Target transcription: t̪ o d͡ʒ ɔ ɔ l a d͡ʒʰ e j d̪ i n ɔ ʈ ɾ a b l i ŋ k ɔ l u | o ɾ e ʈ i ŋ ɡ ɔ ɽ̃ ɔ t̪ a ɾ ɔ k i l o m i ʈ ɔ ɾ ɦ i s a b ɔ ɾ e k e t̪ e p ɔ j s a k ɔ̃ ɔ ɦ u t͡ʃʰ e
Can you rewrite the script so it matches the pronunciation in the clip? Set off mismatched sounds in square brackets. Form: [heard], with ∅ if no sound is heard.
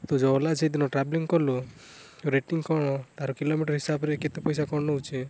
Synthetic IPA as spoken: t̪ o d͡ʒ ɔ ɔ l a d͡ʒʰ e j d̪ i n ɔ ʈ ɾ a b l i ŋ k ɔ l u | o ɾ e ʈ i ŋ [k] ɔ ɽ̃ ɔ t̪ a ɾ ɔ k i l o m i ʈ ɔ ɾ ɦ i s a b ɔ ɾ e k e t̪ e p ɔ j s a k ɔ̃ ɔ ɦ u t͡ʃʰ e